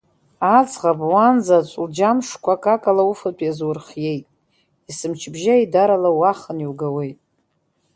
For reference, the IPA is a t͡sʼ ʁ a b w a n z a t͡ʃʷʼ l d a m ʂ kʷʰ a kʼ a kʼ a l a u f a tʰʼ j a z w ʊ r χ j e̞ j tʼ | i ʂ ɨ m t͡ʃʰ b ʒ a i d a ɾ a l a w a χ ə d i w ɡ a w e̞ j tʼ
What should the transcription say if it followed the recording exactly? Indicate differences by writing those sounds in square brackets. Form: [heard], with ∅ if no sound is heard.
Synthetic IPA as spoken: a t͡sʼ ʁ a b w a n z a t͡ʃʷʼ l [d͡ʒ] a m ʂ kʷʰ a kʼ a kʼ a l a u f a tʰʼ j a z w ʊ r χ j e̞ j tʼ | i [s] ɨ m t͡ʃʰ b ʒ a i d a ɾ a l a w a χ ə [n] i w ɡ a w e̞ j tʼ